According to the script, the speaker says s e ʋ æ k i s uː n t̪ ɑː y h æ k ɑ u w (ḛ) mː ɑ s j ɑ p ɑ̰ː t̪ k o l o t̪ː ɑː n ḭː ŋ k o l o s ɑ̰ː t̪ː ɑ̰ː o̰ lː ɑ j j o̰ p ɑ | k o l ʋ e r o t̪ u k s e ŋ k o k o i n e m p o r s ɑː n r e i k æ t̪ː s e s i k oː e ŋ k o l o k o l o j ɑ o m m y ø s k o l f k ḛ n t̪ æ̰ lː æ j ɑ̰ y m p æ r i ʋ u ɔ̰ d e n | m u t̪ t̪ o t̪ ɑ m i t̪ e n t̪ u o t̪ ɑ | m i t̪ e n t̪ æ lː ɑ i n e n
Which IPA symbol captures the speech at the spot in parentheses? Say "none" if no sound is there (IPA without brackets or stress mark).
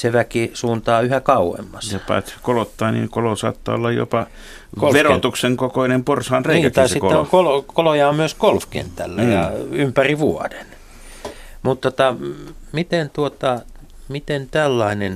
ḛ